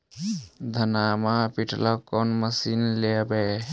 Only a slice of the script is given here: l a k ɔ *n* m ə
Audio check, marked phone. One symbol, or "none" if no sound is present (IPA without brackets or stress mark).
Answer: n